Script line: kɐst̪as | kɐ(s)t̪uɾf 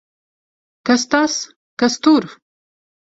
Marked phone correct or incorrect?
correct